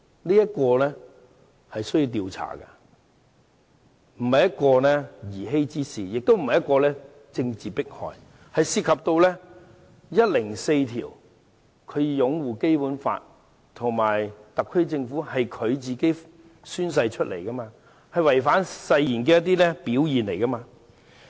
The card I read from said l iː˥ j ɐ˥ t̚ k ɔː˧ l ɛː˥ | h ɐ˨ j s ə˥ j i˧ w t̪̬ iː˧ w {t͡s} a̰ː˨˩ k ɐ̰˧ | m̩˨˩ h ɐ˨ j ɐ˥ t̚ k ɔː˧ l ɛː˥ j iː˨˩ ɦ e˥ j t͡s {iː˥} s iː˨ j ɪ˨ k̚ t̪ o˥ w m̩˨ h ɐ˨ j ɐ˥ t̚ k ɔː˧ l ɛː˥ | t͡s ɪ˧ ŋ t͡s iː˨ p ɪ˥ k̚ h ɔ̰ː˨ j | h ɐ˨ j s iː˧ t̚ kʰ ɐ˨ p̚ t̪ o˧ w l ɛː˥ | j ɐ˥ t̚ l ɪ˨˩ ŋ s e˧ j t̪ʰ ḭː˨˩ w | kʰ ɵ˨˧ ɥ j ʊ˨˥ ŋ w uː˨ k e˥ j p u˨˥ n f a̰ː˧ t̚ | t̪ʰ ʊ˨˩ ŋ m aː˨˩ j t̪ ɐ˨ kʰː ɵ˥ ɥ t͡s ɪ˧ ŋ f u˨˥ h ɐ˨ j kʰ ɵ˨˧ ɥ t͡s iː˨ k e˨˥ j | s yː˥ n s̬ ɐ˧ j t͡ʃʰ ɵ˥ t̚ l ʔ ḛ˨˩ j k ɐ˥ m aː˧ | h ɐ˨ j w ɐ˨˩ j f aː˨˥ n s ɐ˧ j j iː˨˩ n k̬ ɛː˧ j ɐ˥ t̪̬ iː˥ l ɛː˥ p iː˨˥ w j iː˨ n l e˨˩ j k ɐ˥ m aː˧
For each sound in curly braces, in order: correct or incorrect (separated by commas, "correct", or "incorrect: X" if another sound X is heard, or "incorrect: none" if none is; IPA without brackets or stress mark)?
incorrect: t͡sʰ, correct